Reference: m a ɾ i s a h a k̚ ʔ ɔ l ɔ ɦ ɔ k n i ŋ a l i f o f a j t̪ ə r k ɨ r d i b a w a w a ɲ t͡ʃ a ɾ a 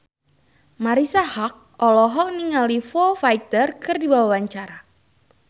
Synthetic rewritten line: m a ɾ i s a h a k̚ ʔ ɔ l ɔ ɦ ɔ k n i ŋ a l i f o f a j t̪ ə r k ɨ r d i b a w a w a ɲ t͡ʃ a ɾ a